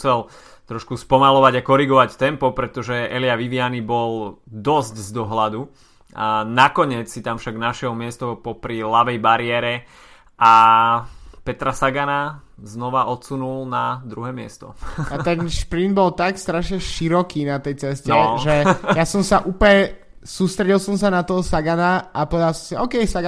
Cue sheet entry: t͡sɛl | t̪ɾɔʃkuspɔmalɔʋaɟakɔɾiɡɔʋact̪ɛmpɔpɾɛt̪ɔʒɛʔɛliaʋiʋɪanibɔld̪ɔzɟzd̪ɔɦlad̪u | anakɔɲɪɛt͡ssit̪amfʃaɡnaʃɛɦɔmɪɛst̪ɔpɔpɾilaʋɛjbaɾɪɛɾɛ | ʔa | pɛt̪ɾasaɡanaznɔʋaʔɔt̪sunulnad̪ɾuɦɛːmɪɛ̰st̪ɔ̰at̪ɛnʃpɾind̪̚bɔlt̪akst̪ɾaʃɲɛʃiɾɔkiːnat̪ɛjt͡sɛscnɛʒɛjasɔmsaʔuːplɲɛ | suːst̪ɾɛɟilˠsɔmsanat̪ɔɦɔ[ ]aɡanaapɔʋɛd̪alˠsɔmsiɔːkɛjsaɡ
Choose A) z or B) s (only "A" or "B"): B